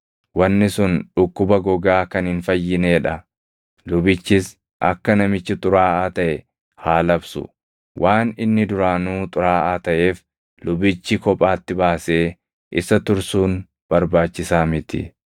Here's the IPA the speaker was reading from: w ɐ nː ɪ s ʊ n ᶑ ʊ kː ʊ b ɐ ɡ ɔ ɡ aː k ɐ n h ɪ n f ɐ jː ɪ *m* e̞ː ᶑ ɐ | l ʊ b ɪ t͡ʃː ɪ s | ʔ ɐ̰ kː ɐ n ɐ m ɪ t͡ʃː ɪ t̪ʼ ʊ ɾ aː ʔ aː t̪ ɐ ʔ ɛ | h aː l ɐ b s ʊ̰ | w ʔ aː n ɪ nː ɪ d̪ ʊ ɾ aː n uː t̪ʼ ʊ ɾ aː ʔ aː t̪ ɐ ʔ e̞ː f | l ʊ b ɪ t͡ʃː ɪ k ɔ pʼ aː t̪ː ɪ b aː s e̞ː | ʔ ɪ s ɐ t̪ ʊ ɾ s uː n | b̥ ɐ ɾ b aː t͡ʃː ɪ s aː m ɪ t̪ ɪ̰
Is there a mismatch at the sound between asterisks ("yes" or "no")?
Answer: yes